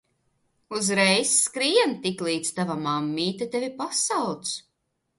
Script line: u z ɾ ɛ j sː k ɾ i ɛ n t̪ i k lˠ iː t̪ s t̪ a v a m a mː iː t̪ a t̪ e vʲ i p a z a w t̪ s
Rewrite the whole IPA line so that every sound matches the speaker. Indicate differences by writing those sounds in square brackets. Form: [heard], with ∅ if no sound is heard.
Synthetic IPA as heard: u z ɾ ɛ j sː k ɾ i ɛ n t̪ i k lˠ iː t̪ s t̪ a v a m a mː iː t̪ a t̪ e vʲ i p a [s] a w t̪ s